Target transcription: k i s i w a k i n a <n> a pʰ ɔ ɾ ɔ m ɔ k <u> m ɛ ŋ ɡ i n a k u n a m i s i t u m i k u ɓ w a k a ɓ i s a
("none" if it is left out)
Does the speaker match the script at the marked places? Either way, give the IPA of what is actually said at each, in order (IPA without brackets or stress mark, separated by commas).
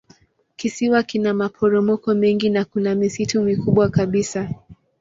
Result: m, ɔ